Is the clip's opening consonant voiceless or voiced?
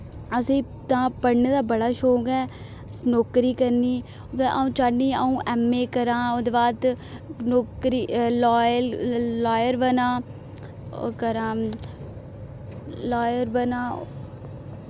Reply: voiceless